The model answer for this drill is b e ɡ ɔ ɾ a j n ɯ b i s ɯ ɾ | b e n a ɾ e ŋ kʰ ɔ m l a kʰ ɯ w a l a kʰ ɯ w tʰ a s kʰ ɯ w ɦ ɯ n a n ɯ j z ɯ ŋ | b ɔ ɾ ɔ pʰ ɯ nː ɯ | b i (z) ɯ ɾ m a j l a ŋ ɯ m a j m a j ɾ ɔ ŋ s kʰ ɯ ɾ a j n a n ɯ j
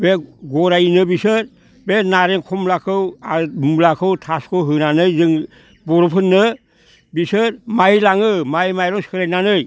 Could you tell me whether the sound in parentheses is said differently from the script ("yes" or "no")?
yes